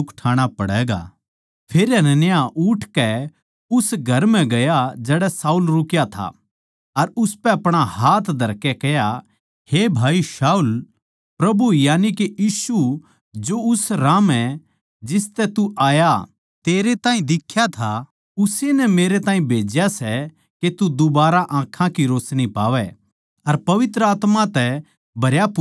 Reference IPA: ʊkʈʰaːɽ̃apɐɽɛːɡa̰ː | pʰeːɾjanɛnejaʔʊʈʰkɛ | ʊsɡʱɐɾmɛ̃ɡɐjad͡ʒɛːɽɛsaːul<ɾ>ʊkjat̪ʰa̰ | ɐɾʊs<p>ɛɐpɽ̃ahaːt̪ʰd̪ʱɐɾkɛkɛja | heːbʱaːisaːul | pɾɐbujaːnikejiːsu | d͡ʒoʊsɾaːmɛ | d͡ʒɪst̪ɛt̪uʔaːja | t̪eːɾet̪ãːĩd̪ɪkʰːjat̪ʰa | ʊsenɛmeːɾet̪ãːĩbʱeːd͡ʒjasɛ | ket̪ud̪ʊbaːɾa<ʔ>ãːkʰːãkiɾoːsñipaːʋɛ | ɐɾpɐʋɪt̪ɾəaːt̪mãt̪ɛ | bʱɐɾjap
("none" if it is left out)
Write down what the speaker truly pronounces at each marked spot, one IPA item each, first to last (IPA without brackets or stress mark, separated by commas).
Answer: ɾ, p, ʔ